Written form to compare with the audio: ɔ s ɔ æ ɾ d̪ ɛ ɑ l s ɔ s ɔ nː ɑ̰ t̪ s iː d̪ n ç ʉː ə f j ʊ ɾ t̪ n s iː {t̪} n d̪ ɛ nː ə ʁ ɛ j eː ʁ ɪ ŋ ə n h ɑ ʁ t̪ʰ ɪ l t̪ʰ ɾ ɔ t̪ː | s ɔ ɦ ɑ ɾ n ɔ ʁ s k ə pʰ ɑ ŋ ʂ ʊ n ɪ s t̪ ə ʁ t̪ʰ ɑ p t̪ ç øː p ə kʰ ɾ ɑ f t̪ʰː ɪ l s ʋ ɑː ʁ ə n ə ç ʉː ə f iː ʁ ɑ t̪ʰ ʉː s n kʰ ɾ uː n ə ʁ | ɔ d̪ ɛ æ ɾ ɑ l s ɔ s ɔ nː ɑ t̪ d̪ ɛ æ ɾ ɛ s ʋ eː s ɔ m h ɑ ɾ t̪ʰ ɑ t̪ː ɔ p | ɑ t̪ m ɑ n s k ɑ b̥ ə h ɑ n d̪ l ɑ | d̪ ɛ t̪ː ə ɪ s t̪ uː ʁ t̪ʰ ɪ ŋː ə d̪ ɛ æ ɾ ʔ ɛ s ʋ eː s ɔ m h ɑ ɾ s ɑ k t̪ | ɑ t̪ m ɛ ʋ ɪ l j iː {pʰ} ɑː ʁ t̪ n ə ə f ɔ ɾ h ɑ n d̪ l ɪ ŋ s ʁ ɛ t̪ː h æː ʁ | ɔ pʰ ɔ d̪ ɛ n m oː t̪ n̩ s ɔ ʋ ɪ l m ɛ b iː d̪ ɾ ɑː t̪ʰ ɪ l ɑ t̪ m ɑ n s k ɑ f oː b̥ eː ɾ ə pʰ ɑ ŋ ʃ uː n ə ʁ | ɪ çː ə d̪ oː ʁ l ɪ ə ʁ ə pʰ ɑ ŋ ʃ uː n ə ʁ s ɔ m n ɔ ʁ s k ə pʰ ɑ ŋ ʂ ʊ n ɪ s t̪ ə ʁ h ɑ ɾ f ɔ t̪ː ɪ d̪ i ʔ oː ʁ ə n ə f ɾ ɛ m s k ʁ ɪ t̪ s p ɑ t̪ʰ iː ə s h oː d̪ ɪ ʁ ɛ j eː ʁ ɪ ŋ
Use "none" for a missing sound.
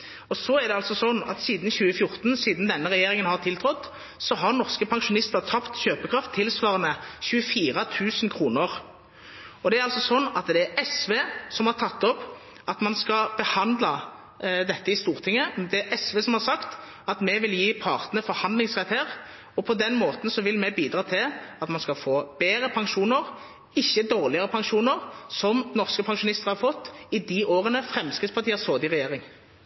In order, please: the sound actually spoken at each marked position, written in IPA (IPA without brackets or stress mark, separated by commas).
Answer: d̪, pʰ